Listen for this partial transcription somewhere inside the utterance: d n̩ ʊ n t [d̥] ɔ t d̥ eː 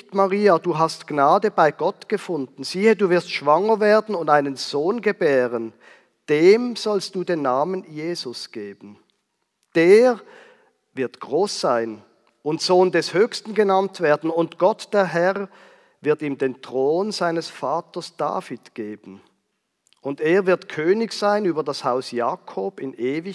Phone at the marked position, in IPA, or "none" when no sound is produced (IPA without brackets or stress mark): ɡ̥